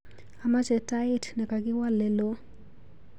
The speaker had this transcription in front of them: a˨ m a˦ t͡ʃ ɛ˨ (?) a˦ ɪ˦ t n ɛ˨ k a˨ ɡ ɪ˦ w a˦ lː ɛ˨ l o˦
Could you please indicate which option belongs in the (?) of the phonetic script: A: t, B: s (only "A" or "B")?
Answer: A